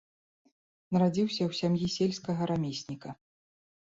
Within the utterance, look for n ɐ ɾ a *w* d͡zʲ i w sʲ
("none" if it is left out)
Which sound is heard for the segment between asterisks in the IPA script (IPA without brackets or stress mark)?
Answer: none